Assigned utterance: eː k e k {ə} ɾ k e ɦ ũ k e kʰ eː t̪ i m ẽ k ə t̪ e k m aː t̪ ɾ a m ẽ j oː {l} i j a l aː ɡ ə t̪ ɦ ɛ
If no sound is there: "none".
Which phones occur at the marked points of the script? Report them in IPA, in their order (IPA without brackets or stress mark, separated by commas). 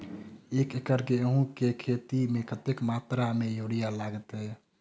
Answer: ə, ɽ